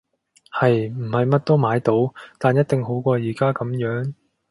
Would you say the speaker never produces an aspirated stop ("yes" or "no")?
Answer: yes